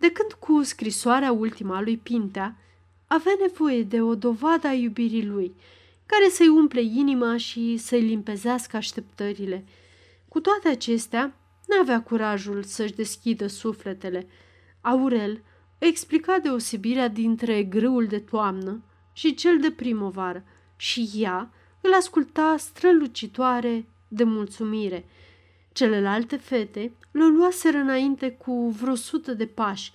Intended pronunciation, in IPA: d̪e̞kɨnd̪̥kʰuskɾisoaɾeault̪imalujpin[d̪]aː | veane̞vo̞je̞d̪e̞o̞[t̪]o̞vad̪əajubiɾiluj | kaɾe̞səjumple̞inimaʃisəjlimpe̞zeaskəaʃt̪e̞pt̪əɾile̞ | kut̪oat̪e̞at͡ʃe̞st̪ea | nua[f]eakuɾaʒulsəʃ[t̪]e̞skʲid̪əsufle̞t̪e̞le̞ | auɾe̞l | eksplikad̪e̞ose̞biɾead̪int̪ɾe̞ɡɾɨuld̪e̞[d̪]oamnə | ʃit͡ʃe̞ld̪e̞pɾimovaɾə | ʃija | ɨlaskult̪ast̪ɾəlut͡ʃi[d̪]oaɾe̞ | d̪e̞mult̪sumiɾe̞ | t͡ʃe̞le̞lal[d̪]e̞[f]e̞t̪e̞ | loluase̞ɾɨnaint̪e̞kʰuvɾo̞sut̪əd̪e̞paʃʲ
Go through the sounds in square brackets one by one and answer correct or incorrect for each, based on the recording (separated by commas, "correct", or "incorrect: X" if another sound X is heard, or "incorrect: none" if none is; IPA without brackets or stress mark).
incorrect: t̪, incorrect: d̪, incorrect: v, incorrect: d̪, incorrect: t̪, incorrect: t̪, incorrect: t̪, correct